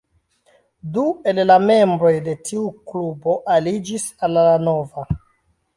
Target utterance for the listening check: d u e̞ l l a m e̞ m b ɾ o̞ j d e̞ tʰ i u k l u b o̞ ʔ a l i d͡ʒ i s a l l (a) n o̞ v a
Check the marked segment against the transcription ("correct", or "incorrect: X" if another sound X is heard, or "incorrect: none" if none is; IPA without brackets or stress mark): correct